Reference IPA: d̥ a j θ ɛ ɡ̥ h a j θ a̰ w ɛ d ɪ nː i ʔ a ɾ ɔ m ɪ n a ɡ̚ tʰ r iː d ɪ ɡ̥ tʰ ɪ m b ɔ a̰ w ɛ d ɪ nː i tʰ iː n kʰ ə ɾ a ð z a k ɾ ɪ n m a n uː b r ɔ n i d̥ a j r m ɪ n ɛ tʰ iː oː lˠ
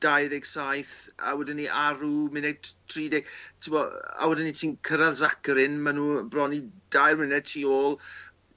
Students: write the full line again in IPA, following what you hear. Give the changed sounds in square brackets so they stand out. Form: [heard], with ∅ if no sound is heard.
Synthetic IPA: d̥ a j [ð] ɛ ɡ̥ [s] a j θ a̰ w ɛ d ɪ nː i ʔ a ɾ [u] m ɪ n [ɛ] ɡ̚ tʰ r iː d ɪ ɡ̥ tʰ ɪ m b ɔ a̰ w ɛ d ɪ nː i tʰ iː n kʰ ə ɾ a ð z a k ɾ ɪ n m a n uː b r ɔ n i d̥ a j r m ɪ n ɛ tʰ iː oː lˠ

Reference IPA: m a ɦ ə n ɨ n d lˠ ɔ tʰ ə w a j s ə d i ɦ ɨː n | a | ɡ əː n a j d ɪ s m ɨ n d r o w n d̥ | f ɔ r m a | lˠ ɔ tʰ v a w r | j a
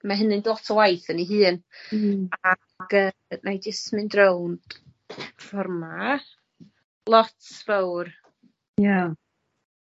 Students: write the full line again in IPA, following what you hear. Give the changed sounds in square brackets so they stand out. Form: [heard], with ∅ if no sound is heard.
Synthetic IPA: m a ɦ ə n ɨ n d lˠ ɔ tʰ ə w a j [θ] ə [n] i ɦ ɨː n | a | ɡ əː n a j d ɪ s m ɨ n d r o w n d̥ | f ɔ r m a | lˠ ɔ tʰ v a w r | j a

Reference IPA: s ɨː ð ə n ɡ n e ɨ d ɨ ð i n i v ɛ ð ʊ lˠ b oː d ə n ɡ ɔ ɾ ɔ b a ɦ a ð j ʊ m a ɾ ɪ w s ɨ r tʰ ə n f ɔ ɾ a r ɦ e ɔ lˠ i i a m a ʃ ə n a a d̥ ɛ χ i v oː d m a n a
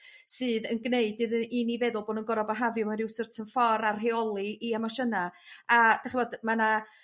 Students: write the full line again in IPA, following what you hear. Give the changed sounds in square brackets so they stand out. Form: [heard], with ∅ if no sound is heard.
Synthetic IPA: s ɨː ð ə n ɡ n e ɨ d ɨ ð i n i v ɛ ð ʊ lˠ b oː d ə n ɡ ɔ ɾ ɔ b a ɦ a [v] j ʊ m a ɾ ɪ w s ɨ r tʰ ə n f ɔ ɾ a r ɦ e ɔ lˠ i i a m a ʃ ə n a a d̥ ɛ χ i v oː d m a n a

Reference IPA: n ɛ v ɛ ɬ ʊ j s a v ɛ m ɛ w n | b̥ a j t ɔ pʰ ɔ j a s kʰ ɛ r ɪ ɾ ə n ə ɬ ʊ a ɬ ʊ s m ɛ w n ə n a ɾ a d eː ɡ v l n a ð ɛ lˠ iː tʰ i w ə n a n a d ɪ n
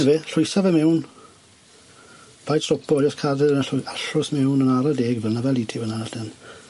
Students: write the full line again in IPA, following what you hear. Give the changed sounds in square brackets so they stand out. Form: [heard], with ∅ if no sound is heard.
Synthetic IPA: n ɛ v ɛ ɬ ʊ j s a v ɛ m ɛ w n | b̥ a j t ɔ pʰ ɔ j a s kʰ [a] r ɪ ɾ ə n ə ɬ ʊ a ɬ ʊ s m ɛ w n ə n a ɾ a d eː ɡ v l n a [v] ɛ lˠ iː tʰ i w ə n a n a d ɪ n

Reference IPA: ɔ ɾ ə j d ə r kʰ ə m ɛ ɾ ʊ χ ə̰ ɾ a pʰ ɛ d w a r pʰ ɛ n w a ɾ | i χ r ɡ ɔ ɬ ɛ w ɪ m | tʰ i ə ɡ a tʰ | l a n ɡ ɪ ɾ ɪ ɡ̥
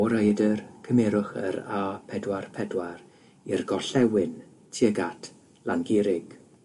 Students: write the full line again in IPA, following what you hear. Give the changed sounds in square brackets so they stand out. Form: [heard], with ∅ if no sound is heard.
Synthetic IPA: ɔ ɾ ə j d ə r kʰ ə m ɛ ɾ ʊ χ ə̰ ɾ a pʰ ɛ d w a r pʰ ɛ [d] w a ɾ | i [∅] r ɡ ɔ ɬ ɛ w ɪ [n] | tʰ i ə ɡ a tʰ | l a n ɡ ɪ ɾ ɪ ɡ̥

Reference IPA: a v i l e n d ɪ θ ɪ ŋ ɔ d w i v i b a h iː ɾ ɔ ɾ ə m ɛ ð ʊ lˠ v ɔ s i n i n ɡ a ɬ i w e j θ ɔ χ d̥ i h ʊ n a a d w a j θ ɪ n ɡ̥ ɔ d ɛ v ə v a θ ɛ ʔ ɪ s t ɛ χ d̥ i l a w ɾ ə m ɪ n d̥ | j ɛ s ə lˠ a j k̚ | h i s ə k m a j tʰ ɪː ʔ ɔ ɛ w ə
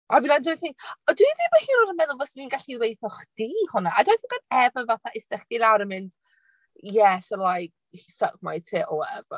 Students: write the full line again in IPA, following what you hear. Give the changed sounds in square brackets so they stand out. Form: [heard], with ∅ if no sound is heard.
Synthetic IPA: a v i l [a] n d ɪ θ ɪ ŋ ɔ d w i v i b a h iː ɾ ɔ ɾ ə m ɛ ð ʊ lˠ v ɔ s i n i n ɡ a ɬ i w e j θ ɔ χ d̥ i h ʊ n a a d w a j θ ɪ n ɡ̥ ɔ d ɛ v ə v a θ [a] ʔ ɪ s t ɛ χ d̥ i l a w ɾ ə m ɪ n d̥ | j ɛ s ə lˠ a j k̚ | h i s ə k m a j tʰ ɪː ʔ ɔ ɛ [v] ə

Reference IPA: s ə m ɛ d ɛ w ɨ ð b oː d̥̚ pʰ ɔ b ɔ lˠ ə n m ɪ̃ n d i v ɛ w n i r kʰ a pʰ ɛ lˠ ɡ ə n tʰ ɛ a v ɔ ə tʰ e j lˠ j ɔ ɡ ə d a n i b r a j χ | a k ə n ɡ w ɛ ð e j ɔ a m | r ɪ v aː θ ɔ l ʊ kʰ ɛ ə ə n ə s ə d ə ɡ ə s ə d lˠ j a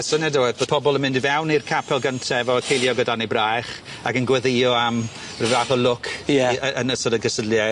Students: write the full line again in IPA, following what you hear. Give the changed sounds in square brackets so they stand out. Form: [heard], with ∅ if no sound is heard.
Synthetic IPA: s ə [n] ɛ d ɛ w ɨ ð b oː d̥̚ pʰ ɔ b ɔ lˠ ə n m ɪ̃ n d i v ɛ w n i r kʰ a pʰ ɛ lˠ ɡ ə n tʰ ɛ [ɛ] v ɔ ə [kʰ] e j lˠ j ɔ ɡ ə d a n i b r a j χ | a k ə n ɡ w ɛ ð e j ɔ a m | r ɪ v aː θ ɔ l ʊ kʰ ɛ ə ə n ə s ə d ə ɡ ə s ə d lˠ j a

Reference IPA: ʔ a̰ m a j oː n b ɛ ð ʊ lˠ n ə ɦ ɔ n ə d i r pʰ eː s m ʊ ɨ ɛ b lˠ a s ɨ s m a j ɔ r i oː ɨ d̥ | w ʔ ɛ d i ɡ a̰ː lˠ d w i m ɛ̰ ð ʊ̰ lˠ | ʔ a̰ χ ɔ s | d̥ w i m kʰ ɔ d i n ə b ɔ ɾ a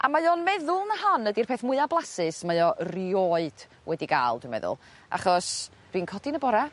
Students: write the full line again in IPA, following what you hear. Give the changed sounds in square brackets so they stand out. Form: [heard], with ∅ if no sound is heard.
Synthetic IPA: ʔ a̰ m a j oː n [m] ɛ ð ʊ lˠ n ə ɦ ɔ n ə d i r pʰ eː [θ] m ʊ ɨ [a] b lˠ a s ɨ s m a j ɔ r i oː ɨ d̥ | w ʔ ɛ d i ɡ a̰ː lˠ d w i m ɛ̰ ð ʊ̰ lˠ | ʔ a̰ χ ɔ s | d̥ w i [n] kʰ ɔ d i n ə b ɔ ɾ a

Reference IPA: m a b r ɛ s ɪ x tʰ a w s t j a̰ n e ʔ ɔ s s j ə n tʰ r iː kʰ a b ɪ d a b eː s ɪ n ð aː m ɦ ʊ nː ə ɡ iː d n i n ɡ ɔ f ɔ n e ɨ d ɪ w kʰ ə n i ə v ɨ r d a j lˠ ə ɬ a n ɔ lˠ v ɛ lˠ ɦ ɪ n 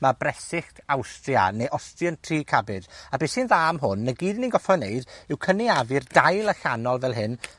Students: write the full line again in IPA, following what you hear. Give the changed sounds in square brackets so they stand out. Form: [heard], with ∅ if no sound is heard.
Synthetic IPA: m a b r ɛ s ɪ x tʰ a w s t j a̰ n e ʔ ɔ s [t] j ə n tʰ r iː kʰ a b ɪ d a b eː s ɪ n ð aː m ɦ ʊ nː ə ɡ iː d n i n ɡ ɔ f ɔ n e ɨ d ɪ w kʰ ə n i [a] v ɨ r d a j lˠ ə ɬ a n ɔ lˠ v ɛ lˠ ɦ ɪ n

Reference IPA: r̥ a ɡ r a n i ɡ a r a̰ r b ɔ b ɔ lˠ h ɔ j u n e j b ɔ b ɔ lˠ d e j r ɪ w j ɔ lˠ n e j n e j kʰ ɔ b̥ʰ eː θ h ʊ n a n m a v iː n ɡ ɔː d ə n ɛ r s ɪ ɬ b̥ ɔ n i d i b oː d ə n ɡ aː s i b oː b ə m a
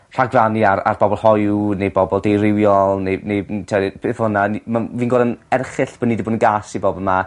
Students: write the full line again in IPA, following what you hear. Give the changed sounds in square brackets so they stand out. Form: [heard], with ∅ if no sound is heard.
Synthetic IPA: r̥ a ɡ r a n i [∅] a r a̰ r b ɔ b ɔ lˠ h ɔ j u n e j b ɔ b ɔ lˠ d e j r ɪ w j ɔ lˠ n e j n e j [tʰ] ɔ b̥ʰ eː θ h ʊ n a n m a v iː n ɡ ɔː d ə n ɛ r [χ] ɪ ɬ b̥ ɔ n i d i b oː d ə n ɡ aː s i b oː b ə m a

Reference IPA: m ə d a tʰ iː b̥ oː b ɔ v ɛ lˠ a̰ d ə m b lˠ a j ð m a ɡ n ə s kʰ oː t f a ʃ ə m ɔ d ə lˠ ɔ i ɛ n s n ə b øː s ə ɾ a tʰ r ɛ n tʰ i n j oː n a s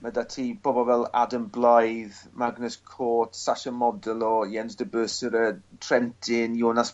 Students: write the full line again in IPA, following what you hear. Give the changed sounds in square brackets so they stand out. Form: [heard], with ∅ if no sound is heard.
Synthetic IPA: m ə d a tʰ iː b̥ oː b ɔ v ɛ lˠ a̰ d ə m b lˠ a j ð m a ɡ n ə s kʰ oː t [s] a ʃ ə m ɔ d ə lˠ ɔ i ɛ n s [d] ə b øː s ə ɾ [ə] tʰ r ɛ n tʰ [ɪ] n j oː n a s

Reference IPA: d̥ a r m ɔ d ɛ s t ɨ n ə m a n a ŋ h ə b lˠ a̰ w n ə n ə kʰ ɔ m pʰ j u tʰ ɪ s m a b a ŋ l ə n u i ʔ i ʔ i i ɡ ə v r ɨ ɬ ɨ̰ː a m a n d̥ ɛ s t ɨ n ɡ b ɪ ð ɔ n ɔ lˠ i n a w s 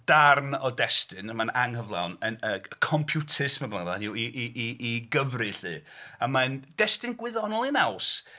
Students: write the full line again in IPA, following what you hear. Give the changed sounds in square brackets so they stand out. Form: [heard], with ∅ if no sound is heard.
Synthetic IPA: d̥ a r [n] ɔ d ɛ s t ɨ n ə m a n a ŋ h ə [v] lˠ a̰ w n ə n ə kʰ ɔ m pʰ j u tʰ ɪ s m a b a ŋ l [a] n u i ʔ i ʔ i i ɡ ə v r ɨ ɬ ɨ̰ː a m a n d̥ ɛ s t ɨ n ɡ [w] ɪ ð ɔ n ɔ lˠ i n a w s

